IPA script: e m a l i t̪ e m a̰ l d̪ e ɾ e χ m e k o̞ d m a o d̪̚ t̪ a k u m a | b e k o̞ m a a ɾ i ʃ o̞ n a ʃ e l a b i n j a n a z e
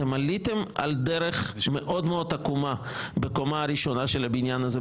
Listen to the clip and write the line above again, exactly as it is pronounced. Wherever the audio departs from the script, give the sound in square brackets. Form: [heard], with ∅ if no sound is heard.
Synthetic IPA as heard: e m a l i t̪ e m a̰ l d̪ e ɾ e χ m e [ʔ] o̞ d m [e] o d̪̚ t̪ a k u m a | b e k o̞ m a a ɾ i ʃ o̞ n a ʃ e l a b i n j a n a z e